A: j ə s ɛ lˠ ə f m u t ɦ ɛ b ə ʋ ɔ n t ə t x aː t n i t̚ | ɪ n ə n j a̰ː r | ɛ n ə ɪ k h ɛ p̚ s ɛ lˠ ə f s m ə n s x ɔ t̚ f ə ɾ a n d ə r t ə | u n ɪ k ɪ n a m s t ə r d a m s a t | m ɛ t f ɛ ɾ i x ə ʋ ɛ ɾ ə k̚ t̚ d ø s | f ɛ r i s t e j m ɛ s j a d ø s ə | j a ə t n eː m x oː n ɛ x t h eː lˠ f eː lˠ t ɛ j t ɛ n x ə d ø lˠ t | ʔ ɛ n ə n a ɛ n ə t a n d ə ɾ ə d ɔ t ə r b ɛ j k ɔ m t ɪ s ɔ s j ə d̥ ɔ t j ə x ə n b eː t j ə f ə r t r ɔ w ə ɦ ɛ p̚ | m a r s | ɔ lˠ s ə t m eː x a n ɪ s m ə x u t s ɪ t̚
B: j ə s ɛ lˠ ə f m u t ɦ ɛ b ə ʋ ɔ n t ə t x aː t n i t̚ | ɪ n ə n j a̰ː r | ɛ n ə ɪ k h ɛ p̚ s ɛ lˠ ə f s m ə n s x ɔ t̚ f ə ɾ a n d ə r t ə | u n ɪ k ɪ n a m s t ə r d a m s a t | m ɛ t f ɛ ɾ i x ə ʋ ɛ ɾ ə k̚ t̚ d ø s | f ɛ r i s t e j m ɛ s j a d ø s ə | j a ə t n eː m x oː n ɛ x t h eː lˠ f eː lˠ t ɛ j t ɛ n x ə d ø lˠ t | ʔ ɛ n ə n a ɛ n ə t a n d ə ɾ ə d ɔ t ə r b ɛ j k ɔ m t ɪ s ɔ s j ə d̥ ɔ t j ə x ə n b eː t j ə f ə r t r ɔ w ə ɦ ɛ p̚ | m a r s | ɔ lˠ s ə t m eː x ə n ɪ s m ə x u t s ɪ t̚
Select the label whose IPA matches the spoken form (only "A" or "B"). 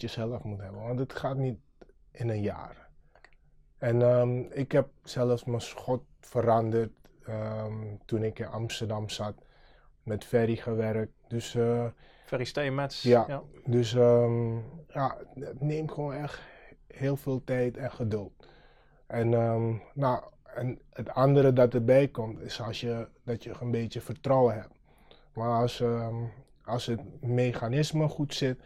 A